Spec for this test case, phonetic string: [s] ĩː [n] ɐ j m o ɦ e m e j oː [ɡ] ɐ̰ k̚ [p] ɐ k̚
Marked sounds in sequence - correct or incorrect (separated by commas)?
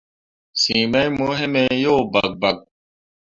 correct, incorrect, incorrect, incorrect